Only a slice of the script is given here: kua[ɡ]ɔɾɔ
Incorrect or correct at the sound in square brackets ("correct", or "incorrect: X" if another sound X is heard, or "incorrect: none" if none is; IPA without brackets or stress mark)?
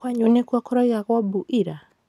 incorrect: k